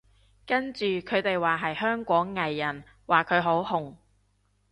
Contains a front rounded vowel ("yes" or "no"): yes